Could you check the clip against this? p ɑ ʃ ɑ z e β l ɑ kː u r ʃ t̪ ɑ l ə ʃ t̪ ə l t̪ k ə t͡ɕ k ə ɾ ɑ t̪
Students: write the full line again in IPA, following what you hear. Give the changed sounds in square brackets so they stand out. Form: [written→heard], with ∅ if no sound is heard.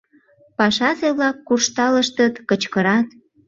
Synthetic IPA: p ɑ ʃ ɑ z e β l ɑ kː u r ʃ t̪ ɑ l ə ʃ t̪ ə [l→∅] t̪ k ə t͡ɕ k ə ɾ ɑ t̪